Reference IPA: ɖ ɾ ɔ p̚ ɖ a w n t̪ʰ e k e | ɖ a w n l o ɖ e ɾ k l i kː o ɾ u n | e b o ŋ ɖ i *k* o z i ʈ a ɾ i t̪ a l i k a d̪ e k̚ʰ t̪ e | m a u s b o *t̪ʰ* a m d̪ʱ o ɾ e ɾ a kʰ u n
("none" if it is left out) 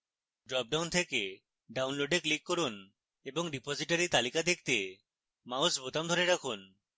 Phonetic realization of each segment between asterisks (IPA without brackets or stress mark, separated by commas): p, t̪